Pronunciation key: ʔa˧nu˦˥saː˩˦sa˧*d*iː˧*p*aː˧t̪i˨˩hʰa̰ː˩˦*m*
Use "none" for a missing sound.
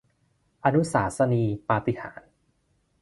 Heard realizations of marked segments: n, p, n

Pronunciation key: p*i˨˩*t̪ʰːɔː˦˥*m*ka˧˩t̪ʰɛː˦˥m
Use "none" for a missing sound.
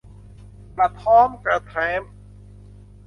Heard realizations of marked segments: a˨˩, m

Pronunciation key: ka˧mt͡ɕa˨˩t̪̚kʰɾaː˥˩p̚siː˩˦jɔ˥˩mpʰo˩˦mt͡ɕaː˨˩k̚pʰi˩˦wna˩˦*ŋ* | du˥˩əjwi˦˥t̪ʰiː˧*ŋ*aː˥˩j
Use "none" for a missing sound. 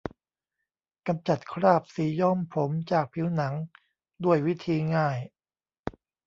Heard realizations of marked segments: ŋ, ŋ

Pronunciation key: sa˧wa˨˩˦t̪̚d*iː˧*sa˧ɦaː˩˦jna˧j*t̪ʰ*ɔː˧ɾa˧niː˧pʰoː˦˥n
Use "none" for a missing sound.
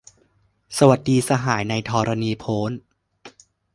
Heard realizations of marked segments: iː˧, t̪ʰ

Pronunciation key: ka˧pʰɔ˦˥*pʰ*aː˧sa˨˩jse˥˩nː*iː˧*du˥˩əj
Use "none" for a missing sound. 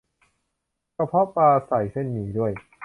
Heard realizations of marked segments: p, iː˩˦

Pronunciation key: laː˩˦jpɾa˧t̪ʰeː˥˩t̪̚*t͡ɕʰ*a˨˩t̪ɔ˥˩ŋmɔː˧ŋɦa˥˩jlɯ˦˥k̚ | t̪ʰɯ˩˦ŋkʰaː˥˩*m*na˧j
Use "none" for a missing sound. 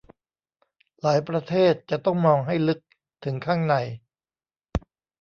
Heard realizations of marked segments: t͡ɕ, ŋ

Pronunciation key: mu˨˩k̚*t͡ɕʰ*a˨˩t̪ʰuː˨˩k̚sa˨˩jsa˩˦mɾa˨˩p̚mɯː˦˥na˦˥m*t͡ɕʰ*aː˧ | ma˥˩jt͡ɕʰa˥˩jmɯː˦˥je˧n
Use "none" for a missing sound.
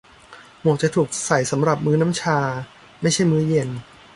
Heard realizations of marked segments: t͡ɕ, t͡ɕʰ

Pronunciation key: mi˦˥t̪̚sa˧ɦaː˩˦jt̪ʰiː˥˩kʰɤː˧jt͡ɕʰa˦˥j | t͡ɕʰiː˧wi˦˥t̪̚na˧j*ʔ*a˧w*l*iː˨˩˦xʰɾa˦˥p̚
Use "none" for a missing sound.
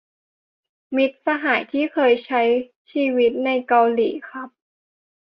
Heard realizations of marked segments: k, l

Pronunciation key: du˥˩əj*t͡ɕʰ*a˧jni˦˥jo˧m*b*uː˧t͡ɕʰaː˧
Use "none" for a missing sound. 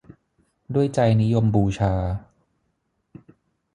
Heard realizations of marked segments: t͡ɕ, b

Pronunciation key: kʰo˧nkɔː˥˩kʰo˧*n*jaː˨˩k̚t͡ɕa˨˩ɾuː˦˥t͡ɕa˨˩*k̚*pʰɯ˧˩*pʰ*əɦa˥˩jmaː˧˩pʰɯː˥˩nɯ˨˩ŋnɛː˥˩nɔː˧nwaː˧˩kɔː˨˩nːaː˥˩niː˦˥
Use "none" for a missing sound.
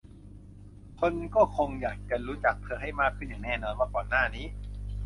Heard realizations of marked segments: ŋ, k̚, none

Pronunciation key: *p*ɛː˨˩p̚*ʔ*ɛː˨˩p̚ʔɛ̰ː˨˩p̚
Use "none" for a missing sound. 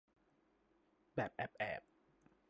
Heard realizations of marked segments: b, ʔ

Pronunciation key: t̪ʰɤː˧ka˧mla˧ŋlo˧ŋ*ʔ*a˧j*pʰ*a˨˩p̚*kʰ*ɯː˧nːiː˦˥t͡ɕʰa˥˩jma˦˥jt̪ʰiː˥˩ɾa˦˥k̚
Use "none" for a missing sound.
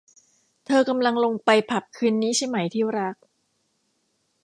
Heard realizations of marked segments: p, pʰ, kʰ

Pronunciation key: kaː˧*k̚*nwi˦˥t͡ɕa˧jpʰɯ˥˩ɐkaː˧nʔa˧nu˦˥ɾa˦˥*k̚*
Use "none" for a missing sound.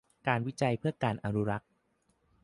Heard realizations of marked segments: none, k̚

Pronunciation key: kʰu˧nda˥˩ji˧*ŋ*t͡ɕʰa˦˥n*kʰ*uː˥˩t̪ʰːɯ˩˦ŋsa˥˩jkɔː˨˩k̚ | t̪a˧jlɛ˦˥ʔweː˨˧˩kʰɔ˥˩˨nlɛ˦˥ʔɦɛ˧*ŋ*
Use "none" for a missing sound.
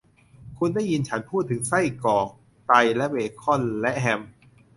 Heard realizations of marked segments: n, pʰ, m

